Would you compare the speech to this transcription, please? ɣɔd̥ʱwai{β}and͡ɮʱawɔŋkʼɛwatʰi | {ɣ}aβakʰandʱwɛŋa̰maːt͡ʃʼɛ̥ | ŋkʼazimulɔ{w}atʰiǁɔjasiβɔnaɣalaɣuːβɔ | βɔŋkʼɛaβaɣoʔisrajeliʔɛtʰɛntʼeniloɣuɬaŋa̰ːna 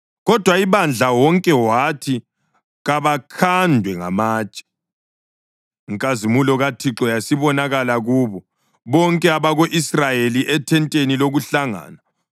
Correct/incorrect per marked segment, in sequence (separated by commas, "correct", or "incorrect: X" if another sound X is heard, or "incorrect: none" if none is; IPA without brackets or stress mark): correct, correct, incorrect: ɣ